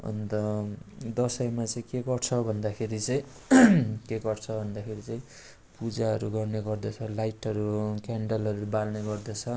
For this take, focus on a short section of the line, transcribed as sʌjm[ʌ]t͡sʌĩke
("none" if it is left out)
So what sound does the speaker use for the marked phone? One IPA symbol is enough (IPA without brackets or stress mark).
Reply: a